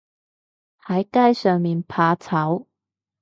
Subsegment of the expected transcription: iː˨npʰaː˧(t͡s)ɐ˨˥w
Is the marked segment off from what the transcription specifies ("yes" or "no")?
yes